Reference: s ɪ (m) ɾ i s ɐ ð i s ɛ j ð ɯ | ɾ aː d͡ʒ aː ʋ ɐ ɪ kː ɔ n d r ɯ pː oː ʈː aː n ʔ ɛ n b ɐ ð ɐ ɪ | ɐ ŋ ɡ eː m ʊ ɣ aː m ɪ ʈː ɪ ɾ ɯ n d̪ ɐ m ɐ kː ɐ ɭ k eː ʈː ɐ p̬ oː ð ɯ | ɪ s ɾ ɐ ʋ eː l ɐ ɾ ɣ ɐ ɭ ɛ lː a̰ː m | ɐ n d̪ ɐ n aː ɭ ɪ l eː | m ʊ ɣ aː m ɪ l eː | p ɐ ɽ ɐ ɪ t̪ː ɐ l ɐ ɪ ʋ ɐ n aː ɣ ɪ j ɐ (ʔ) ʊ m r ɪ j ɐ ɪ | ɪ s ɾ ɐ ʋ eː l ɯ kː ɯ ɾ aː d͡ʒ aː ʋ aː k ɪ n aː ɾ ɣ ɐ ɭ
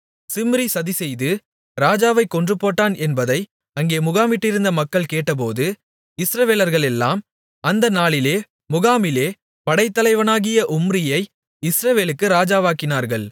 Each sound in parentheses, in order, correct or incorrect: correct, correct

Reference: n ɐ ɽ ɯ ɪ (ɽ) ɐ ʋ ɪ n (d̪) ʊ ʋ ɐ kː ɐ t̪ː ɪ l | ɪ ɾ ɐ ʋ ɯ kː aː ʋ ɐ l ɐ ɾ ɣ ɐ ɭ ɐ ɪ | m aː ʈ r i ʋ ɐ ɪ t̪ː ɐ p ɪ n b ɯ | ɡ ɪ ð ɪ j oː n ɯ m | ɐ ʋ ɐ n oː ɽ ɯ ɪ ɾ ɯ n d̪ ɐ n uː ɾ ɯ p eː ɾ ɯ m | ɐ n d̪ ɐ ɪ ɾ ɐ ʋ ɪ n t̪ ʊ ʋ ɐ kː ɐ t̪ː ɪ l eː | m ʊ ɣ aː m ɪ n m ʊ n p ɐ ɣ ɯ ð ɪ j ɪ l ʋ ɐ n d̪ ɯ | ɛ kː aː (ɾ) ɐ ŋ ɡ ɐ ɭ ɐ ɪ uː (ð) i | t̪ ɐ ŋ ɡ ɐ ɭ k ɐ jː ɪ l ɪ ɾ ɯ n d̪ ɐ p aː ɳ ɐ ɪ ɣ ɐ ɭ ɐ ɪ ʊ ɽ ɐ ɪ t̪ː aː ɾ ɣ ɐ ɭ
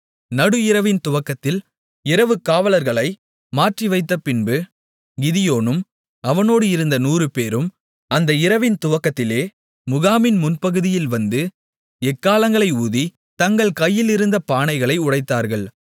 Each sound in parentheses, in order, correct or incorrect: incorrect: ɾ, incorrect: t̪, incorrect: l, correct

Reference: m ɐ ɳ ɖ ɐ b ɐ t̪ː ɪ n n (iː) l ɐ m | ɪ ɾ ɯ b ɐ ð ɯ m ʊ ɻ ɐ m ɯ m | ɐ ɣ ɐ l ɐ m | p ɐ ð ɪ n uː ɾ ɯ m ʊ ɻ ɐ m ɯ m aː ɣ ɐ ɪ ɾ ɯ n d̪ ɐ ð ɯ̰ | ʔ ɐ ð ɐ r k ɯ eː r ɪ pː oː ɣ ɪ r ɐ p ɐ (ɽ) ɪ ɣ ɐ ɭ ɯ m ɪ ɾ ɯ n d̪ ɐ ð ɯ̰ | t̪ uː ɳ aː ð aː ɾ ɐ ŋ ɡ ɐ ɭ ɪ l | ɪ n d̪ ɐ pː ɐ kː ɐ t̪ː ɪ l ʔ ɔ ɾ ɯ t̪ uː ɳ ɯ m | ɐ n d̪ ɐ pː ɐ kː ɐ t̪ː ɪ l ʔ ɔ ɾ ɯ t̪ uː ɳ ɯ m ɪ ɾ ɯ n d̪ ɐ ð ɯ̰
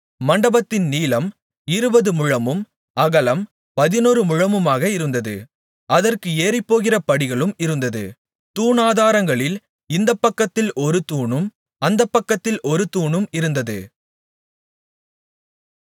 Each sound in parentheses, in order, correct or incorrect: correct, correct

